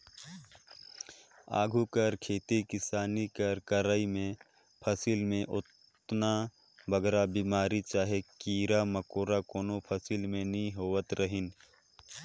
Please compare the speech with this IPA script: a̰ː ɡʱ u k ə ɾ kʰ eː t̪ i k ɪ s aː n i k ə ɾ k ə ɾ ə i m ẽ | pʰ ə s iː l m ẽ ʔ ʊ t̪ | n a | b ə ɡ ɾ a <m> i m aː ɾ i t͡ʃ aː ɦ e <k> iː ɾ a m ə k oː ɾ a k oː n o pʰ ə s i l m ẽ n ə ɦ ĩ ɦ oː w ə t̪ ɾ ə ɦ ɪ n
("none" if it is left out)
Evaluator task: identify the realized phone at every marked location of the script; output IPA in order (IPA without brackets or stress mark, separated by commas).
b, k